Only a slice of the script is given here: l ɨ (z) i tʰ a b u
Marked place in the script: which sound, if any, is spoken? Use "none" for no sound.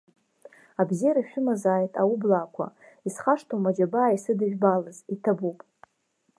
z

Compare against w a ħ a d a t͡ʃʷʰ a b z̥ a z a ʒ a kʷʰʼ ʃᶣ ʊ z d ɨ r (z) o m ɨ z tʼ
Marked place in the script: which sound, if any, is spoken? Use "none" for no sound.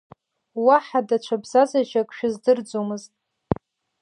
d͡z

